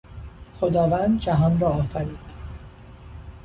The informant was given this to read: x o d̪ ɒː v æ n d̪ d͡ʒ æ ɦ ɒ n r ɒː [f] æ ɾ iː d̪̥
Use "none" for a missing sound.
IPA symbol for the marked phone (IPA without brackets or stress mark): f